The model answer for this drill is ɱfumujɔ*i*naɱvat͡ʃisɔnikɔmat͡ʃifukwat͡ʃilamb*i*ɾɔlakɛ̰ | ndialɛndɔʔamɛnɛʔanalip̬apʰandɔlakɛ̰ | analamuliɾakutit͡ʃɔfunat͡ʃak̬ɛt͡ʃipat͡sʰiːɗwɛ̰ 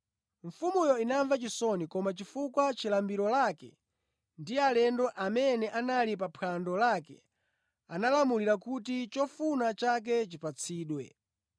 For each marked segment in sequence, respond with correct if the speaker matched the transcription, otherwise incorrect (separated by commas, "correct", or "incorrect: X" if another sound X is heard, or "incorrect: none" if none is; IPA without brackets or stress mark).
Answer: correct, correct